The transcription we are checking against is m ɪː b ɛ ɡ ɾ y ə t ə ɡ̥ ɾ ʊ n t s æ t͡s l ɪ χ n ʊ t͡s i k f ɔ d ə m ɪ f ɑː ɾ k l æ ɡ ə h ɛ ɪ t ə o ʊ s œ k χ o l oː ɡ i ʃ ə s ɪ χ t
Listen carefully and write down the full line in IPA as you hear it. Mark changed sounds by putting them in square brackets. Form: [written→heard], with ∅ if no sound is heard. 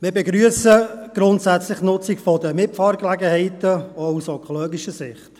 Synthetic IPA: m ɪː b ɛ ɡ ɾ y ə [t→s] ə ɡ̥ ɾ ʊ n t s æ t͡s l ɪ χ n ʊ t͡s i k f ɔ d ə m ɪ f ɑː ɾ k l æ ɡ ə h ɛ ɪ t ə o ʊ s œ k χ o l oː ɡ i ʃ ə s ɪ χ t